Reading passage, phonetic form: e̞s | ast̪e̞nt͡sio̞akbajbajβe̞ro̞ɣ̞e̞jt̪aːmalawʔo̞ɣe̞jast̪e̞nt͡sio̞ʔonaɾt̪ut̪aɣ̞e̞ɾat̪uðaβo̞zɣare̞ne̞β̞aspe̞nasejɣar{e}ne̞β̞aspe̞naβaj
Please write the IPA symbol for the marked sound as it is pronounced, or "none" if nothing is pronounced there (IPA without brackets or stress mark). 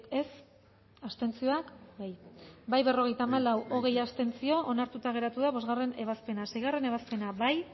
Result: e